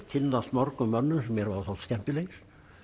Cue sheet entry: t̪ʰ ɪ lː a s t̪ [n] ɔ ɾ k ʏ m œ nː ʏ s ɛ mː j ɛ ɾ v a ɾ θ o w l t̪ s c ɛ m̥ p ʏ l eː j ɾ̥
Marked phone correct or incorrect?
incorrect